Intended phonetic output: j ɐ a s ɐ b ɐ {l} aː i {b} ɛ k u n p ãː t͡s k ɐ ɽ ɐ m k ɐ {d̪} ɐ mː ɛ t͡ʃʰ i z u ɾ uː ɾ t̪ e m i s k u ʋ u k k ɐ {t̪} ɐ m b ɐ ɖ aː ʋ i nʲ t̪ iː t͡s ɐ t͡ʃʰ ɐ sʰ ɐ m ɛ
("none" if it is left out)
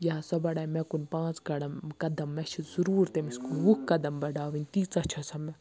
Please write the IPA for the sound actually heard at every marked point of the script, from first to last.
ɽ, m, d̪, d̪

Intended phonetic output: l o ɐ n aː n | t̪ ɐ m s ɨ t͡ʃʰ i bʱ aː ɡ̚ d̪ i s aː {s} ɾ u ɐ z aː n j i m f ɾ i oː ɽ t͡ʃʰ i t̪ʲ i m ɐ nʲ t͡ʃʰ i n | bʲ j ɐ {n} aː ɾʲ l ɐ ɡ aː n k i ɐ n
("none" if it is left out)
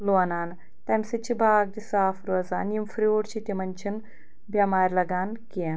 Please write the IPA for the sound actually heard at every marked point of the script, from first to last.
f, m

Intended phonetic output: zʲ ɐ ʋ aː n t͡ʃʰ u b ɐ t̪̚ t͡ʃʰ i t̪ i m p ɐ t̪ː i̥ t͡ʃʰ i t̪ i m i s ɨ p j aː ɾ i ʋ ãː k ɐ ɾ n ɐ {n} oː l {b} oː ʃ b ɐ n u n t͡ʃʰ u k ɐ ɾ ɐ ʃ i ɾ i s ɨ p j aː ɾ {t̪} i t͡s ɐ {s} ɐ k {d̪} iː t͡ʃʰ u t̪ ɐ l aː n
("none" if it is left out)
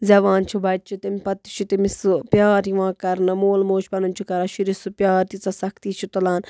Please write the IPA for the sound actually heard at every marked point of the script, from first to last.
m, m, t̪, s, t̪

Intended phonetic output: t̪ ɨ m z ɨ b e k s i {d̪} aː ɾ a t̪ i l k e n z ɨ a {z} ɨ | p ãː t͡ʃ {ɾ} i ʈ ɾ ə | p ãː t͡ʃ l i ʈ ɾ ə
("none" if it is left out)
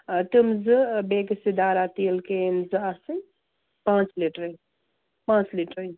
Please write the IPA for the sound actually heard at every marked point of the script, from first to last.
d̪, s, l

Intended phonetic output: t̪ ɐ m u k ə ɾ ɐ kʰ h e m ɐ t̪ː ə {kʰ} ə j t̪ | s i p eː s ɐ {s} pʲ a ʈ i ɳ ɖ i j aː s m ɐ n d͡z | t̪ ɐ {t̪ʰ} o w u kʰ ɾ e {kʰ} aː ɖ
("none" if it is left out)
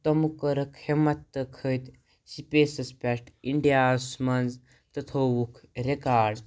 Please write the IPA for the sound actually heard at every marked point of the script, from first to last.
kʰ, s, t̪ʰ, k

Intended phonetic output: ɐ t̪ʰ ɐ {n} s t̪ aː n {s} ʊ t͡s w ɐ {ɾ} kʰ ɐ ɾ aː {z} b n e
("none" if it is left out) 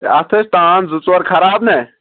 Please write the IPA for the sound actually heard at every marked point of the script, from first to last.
none, z, ɾ, none

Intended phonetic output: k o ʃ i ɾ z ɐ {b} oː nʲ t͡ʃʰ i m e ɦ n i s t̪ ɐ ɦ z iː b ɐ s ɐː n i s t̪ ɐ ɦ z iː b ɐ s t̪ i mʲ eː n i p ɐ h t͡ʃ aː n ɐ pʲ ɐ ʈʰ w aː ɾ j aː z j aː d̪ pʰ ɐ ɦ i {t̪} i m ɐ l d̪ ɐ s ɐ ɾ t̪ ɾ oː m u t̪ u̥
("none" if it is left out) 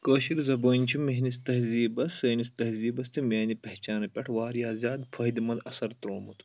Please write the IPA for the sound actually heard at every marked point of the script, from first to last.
b, d̪

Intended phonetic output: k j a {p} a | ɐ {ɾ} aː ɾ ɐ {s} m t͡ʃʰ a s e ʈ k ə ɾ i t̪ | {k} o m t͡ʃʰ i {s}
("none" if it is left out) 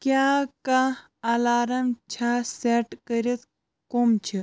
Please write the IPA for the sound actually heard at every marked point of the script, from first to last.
k, l, none, k, none

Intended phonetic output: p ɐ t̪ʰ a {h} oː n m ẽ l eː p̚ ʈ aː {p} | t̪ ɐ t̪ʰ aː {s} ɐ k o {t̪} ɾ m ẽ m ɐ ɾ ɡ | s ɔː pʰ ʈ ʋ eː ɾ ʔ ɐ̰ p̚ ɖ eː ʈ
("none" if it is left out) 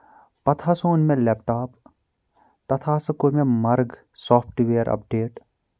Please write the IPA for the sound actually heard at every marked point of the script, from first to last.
s, p, s, none

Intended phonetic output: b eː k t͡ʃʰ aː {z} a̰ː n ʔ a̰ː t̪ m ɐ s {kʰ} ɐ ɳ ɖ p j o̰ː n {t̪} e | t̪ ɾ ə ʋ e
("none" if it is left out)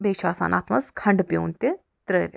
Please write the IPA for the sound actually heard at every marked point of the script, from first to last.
s, kʰ, t̪

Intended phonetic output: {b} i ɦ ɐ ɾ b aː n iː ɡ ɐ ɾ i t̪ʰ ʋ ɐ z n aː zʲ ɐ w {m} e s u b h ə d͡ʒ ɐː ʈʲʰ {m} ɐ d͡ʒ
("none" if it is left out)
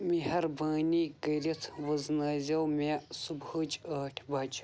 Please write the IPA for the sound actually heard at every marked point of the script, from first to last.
m, m, b

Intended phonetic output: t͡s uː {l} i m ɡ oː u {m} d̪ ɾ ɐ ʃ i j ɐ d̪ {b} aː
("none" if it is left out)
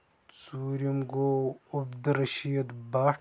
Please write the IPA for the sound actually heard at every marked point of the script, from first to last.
ɾ, b, b

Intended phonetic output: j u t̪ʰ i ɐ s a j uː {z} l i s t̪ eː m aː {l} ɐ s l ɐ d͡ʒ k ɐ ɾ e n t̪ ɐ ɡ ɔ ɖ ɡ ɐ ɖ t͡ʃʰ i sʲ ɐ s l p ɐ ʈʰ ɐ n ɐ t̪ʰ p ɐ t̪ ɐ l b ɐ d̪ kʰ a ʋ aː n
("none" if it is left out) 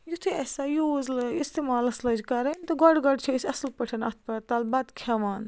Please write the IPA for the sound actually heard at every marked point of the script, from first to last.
z, l

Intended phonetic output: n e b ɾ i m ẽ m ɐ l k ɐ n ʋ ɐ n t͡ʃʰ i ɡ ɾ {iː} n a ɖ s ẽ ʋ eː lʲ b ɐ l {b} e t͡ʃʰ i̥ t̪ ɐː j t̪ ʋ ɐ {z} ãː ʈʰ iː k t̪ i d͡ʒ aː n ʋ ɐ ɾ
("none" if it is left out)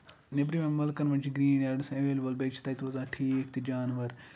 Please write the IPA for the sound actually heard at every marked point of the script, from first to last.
iː, b, z

